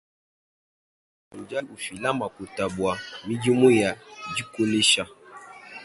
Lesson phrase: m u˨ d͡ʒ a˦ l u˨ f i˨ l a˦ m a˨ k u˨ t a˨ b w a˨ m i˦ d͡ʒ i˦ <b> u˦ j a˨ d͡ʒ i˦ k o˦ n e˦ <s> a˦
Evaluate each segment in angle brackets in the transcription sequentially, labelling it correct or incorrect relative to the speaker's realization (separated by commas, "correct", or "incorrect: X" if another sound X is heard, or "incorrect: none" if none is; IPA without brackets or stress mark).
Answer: incorrect: m, incorrect: ʃ